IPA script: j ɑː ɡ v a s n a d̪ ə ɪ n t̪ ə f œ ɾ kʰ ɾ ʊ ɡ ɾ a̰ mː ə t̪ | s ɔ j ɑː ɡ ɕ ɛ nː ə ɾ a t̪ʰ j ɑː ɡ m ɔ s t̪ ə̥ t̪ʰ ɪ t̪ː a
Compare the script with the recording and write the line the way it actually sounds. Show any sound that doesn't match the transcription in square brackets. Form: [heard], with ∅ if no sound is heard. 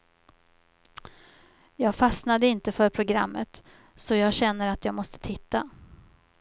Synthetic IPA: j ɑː ɡ [f] a s n a d̪ ə ɪ n t̪ ə f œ ɾ [pʰ] ɾ ʊ ɡ ɾ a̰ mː ə t̪ | s ɔ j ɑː ɡ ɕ ɛ nː ə ɾ a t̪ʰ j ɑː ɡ m ɔ s t̪ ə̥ t̪ʰ ɪ t̪ː a